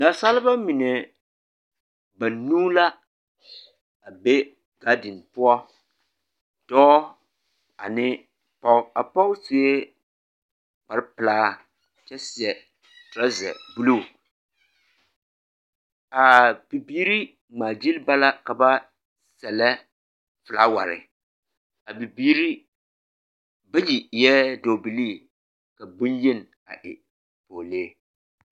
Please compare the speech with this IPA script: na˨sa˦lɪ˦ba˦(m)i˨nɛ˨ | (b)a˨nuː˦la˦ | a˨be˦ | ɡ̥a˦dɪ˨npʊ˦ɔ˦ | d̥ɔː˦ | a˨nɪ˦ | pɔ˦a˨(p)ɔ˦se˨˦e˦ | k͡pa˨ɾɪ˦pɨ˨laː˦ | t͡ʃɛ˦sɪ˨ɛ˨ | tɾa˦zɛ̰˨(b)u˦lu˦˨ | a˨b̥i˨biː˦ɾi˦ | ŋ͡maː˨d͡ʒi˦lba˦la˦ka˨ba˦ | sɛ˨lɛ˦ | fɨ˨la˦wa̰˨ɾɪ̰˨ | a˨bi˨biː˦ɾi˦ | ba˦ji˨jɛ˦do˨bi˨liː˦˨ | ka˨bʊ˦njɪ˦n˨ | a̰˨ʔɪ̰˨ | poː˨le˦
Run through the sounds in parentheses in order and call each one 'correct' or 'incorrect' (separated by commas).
correct, correct, correct, correct